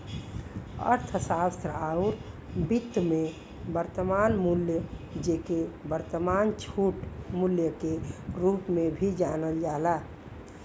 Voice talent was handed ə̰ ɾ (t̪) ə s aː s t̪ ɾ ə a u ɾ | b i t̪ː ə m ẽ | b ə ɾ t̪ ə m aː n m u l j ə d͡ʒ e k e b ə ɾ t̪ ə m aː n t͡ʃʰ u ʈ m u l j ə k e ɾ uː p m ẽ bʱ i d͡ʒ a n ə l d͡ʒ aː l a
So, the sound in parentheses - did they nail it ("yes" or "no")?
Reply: no